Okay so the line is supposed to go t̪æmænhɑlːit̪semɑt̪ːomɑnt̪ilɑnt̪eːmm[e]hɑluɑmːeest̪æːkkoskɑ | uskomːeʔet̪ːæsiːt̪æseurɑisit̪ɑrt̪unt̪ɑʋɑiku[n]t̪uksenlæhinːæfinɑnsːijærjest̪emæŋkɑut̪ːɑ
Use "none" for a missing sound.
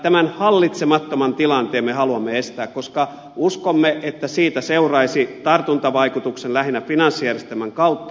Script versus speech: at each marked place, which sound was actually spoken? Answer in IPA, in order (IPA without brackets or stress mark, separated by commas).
e, none